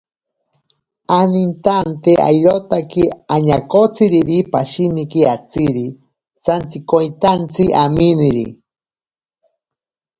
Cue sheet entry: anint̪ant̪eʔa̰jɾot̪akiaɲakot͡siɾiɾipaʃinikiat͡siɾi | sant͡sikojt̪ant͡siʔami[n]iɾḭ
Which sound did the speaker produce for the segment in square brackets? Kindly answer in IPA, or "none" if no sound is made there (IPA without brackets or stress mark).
n